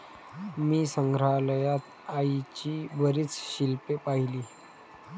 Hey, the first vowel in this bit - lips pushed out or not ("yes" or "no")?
no